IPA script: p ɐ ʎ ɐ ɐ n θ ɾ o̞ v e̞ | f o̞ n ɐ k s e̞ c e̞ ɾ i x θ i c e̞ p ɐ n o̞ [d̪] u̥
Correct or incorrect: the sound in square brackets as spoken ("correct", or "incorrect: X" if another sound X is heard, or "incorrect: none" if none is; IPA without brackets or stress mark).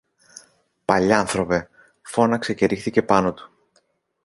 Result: incorrect: t̪